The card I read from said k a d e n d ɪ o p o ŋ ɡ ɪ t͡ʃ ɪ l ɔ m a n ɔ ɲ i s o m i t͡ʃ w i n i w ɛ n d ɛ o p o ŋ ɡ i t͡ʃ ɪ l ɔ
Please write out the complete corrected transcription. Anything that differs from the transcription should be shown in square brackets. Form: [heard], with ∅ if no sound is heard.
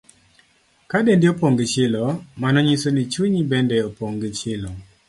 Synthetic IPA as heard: k a d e n d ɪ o p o ŋ ɡ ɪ t͡ʃ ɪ l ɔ m a n ɔ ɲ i s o [n] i t͡ʃ w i [ɲ] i [b] ɛ n d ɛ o p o ŋ ɡ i t͡ʃ ɪ l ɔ